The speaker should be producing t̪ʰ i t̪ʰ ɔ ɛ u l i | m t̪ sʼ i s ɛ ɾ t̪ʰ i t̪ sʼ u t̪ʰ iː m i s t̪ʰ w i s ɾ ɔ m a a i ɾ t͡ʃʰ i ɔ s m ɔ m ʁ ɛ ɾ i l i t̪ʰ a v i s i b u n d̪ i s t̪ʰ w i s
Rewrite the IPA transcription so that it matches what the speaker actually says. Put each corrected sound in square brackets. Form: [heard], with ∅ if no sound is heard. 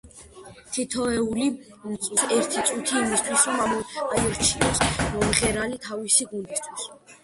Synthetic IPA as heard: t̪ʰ i t̪ʰ ɔ ɛ u l i | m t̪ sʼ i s ɛ ɾ t̪ʰ i t̪ sʼ u t̪ʰ iː m i s t̪ʰ w i s ɾ ɔ m a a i ɾ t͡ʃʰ i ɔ s m ɔ m ʁ ɛ ɾ [a] l i t̪ʰ a v i s i [ɡ] u n d̪ i s t̪ʰ w i s